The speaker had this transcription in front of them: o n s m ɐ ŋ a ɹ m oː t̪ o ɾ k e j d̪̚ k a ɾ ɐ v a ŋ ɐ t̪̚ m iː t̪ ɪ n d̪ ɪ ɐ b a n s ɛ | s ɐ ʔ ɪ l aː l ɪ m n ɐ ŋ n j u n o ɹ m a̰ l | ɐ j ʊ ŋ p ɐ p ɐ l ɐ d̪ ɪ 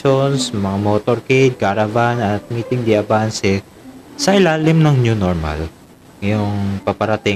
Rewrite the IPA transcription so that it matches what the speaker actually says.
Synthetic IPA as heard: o n s m ɐ ŋ a m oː t̪ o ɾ k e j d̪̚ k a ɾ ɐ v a n ɐ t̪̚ m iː t̪ ɪ ŋ d̪ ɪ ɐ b a n s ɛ | s ɐ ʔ ɪ l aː l ɪ m n ɐ ŋ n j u n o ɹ m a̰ l | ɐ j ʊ ŋ p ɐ p ɐ ɾ ɐ t̪ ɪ